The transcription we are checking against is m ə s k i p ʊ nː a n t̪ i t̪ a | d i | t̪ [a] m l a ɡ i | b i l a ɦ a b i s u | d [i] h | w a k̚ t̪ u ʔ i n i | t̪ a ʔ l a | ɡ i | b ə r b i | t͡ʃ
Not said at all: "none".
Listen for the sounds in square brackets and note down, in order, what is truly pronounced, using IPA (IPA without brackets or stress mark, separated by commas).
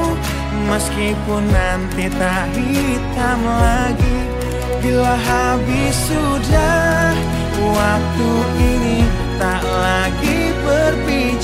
a, a